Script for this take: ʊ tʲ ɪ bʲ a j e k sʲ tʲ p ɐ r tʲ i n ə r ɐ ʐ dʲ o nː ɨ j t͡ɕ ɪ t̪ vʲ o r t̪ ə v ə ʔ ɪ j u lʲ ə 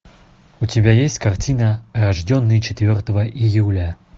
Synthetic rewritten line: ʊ tʲ ɪ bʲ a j e sʲ tʲ k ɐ r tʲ i n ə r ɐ ʐ dʲ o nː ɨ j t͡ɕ ɪ t̪ vʲ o r t̪ ə v ə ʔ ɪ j u lʲ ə